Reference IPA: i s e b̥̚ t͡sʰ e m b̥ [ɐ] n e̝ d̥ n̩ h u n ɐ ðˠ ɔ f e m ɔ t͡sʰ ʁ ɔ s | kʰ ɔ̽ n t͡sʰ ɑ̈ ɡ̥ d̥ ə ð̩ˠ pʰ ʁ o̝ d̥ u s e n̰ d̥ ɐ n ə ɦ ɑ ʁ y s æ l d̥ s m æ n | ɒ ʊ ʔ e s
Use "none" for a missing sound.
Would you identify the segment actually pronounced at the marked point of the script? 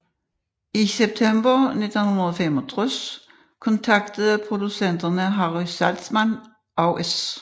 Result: ɐ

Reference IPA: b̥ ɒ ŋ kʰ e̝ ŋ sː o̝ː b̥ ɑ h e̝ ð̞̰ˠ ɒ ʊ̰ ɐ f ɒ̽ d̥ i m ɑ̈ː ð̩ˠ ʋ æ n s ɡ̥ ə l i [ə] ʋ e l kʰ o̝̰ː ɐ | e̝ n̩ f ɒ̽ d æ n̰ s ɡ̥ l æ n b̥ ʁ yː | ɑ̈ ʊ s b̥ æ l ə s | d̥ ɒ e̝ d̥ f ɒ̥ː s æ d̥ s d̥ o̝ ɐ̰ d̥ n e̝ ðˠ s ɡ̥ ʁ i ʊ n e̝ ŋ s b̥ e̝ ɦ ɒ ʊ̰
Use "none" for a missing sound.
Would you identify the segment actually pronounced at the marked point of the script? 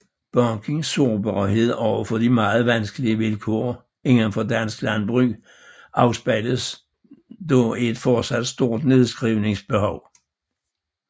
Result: ə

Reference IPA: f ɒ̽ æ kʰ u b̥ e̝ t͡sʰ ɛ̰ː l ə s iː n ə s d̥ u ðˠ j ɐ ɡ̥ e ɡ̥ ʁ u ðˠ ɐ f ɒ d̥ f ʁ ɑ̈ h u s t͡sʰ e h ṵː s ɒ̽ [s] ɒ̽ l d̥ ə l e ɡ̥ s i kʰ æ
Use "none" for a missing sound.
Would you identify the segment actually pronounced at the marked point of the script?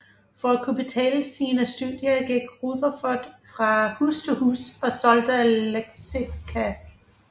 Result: s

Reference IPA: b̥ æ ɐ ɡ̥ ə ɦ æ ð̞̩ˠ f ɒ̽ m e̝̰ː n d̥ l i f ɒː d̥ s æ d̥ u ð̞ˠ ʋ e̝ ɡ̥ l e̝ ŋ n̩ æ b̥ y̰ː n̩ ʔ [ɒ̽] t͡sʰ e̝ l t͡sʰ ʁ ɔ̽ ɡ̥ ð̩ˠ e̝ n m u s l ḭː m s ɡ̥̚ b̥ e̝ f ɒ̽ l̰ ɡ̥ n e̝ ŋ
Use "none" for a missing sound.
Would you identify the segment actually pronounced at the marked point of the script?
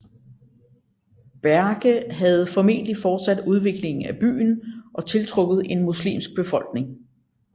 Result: ɒ̽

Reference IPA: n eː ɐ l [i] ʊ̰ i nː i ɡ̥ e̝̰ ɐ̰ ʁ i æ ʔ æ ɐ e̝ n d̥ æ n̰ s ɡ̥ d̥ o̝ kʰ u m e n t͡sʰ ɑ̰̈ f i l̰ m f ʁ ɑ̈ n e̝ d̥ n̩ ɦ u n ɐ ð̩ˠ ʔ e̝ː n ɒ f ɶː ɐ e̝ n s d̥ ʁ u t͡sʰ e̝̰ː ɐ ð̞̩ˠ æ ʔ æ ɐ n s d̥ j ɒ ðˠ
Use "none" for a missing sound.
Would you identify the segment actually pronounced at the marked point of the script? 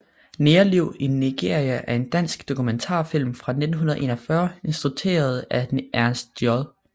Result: i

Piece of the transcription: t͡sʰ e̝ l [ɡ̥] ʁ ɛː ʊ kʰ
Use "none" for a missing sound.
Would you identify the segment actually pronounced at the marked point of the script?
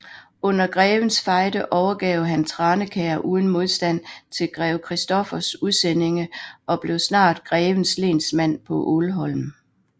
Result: ɡ̥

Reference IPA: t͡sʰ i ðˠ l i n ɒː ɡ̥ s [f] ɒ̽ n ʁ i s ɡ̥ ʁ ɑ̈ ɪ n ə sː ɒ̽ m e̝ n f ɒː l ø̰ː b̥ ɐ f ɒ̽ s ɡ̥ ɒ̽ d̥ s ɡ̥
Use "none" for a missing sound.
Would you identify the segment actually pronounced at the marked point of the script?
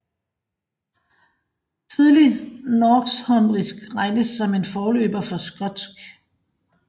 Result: h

